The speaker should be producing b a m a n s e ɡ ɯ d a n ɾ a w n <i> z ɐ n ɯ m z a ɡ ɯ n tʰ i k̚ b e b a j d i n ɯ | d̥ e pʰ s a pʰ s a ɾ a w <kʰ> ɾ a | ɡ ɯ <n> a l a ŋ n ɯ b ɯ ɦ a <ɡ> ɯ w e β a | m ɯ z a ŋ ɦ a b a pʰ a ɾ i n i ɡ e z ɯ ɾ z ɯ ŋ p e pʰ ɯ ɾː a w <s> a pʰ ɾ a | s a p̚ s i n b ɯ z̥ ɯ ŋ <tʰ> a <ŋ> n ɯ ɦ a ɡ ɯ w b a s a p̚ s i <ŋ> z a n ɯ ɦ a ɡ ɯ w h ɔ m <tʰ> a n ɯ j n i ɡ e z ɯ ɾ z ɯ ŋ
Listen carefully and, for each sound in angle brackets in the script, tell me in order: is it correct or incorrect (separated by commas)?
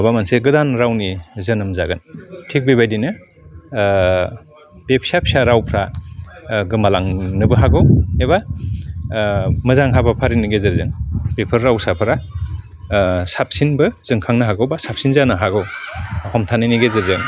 correct, incorrect, incorrect, correct, correct, incorrect, correct, incorrect, correct